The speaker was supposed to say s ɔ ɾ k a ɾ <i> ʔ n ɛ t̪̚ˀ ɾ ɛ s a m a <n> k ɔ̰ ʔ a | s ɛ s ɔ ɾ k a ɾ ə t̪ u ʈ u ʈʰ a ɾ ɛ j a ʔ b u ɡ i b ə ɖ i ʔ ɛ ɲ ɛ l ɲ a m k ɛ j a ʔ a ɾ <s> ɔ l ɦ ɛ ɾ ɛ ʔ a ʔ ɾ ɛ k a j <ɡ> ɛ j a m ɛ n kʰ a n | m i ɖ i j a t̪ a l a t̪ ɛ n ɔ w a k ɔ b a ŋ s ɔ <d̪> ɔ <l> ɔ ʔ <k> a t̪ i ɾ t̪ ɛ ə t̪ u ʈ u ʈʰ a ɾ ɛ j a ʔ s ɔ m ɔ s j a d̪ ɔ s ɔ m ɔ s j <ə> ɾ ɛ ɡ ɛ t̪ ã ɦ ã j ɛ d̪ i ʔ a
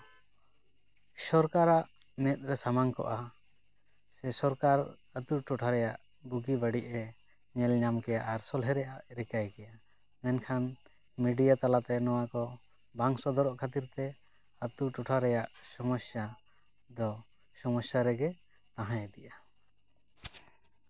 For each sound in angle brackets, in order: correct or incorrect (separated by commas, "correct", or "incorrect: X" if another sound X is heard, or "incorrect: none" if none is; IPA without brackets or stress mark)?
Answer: incorrect: a, incorrect: ŋ, correct, incorrect: k, correct, incorrect: ɾ, incorrect: kʰ, incorrect: a